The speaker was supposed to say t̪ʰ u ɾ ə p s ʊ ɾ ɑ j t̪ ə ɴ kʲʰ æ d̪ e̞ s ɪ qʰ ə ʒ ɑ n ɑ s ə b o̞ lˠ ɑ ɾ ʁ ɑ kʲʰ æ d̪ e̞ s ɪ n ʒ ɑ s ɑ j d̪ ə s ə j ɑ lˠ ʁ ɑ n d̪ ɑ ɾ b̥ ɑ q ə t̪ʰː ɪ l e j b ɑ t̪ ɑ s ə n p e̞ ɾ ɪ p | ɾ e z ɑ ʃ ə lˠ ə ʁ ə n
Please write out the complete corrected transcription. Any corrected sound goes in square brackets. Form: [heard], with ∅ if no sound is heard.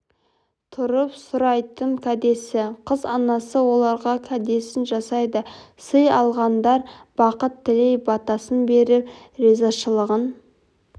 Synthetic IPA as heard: t̪ʰ [ʊ] ɾ ə p s ʊ ɾ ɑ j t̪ ə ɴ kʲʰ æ d̪ e̞ s ɪ qʰ ə [z] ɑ n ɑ s ə [w] o̞ lˠ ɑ ɾ ʁ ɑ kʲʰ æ d̪ e̞ s ɪ n ʒ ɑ s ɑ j d̪ ə s ə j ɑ lˠ ʁ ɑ n d̪ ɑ ɾ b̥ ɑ q ə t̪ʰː ɪ l e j b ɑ t̪ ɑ s ə n [b] e̞ ɾ ɪ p | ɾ e z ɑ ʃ ə lˠ ə ʁ ə n